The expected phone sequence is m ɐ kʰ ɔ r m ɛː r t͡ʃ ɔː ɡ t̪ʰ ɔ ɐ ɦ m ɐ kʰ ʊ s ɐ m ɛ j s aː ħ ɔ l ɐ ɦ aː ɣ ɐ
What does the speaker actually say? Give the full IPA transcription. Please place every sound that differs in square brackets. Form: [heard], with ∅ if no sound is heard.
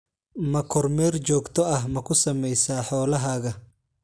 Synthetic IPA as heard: m ɐ kʰ ɔ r m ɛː r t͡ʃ ɔː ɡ t̪ʰ ɔ ɐ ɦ m ɐ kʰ ʊ s ɐ m ɛ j s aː ħ [ɔː] l ɐ ɦ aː ɣ ɐ